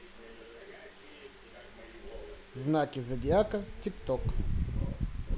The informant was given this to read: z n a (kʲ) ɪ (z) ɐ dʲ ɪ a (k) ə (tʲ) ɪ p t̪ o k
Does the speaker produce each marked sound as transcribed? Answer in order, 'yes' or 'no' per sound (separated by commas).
yes, yes, yes, yes